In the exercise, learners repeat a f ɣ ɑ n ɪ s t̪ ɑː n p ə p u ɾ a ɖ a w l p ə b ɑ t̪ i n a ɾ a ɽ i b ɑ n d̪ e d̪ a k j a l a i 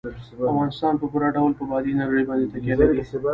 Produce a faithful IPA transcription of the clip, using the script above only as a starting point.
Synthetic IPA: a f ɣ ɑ n ɪ s t̪ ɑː n p ə p u ɾ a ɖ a w l p ə b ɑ d̪ i n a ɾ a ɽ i b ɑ n d̪ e t̪ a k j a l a i